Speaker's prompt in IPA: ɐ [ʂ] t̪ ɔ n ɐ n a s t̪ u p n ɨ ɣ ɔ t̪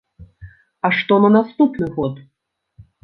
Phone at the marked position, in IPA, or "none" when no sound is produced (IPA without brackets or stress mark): ʂ